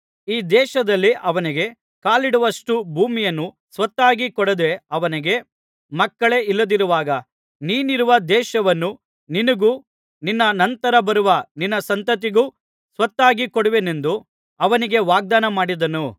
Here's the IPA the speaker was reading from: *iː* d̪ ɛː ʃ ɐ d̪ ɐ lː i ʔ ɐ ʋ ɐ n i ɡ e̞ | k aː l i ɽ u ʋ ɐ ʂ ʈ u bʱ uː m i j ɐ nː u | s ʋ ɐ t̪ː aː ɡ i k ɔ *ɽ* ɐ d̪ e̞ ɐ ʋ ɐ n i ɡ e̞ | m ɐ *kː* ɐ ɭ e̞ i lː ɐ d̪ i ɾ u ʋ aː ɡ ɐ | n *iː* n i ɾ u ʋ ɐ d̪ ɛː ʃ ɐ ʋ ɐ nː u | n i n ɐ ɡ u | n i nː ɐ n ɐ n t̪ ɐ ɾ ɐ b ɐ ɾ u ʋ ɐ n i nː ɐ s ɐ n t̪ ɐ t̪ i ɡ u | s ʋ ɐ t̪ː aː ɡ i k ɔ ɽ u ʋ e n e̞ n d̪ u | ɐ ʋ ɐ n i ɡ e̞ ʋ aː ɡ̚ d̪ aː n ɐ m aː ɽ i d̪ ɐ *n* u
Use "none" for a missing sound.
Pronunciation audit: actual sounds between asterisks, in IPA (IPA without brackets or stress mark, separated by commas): iː, ɽ, kː, iː, n